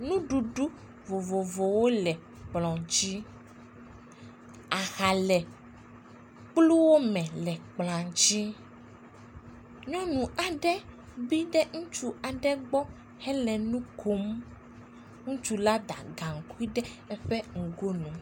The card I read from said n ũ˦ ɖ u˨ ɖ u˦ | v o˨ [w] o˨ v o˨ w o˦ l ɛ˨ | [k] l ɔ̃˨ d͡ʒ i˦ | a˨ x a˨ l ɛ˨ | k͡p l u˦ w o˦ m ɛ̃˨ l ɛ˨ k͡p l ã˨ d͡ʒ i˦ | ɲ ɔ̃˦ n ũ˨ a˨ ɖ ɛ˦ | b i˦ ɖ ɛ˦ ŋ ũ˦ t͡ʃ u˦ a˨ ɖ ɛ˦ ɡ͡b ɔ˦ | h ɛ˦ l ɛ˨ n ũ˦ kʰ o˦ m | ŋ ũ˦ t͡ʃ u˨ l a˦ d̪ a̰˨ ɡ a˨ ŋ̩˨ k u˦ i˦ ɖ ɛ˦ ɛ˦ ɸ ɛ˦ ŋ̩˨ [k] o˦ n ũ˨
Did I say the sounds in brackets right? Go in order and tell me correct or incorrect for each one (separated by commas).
incorrect, incorrect, incorrect